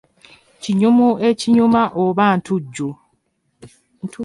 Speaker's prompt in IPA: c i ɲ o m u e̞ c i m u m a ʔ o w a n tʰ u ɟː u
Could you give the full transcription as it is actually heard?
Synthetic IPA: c i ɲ u m u e̞ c i ɲ u m a ʔ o β a n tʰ u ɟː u